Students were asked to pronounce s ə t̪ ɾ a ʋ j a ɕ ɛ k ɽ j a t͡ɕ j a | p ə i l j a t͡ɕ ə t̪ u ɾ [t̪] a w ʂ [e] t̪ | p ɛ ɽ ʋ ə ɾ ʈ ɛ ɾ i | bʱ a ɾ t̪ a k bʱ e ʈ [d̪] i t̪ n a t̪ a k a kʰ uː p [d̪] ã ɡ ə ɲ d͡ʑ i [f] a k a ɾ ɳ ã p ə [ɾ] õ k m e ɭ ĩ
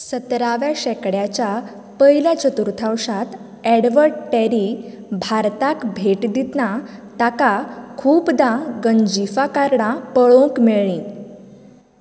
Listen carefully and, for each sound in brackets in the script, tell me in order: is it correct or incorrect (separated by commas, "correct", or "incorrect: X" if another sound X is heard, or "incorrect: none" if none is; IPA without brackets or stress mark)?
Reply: incorrect: t̪ʰ, incorrect: a, correct, correct, correct, incorrect: ɭ